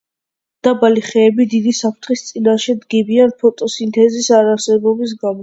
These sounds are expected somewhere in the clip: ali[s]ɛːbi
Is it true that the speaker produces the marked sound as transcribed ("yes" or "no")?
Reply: no